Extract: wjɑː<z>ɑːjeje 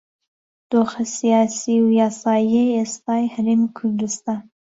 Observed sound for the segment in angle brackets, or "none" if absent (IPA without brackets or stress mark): s